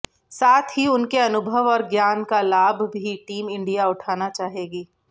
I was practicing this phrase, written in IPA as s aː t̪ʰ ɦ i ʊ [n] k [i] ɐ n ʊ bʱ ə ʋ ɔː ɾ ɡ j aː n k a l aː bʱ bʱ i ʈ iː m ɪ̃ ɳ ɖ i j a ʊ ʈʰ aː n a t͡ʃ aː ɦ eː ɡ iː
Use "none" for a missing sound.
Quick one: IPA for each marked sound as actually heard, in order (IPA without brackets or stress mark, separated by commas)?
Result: n, e